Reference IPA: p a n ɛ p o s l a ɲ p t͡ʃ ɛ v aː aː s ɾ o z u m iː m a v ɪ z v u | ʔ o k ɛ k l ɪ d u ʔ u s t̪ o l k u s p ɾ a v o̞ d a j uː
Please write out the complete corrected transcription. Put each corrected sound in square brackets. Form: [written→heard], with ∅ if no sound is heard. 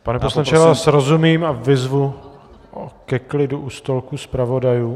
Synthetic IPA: p a n ɛ p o s l a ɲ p t͡ʃ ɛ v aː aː s ɾ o z u m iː m a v ɪ z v u | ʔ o k ɛ k l ɪ d u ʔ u s t̪ o l k u s p ɾ a v o̞ d a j uː